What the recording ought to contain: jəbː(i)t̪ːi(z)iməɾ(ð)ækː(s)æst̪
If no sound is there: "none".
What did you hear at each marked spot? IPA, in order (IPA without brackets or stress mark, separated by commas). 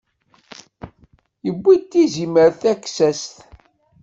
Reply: i, z, θ, s